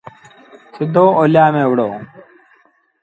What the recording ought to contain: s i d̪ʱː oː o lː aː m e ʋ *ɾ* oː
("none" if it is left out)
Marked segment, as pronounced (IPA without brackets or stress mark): ɽ